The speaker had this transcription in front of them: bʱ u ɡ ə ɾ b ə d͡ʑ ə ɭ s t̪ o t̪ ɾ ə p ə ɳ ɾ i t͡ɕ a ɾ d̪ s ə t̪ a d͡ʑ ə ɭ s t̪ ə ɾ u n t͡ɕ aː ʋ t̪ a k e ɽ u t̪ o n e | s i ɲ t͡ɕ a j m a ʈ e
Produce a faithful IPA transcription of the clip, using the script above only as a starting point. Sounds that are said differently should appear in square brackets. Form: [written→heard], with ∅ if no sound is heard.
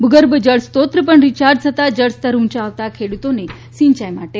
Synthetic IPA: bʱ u ɡ ə ɾ b ə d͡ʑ ə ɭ s t̪ o t̪ ɾ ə p ə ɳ ɾ i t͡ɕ a ɾ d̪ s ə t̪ a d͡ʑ ə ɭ s t̪ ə ɾ u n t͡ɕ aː ʋ t̪ a [k→kʰ] e ɽ u t̪ o n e | s i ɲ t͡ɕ a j m a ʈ e